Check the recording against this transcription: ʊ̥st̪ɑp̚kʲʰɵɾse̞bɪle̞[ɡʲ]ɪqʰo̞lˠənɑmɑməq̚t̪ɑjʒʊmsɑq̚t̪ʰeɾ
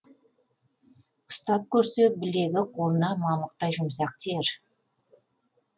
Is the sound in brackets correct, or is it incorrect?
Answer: correct